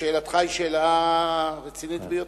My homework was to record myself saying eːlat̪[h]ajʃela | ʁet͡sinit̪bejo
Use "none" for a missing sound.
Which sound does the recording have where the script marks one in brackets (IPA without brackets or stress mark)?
χ